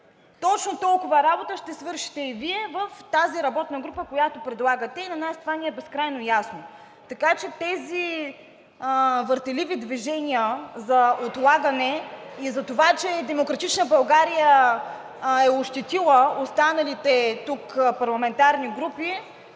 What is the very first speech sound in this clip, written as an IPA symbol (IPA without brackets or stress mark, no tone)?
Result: t̪